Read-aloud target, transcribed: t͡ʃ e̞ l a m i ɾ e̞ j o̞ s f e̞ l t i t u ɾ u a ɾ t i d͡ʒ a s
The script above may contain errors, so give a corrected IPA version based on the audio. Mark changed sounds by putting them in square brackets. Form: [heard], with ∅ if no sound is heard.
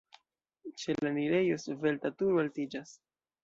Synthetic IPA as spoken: t͡ʃ e̞ l a [n] i ɾ e̞ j o̞ s [v] e̞ l t [a] t u ɾ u a [l] t i d͡ʒ a s